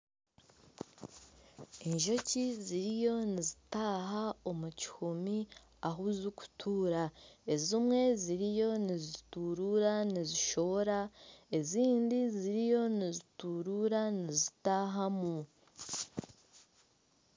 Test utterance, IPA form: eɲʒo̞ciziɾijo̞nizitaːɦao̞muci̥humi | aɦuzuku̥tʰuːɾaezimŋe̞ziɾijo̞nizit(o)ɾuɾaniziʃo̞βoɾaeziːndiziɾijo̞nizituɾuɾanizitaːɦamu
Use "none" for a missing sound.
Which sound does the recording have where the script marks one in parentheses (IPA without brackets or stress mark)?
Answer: u